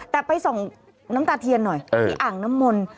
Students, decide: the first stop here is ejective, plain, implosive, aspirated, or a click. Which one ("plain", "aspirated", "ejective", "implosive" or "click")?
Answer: plain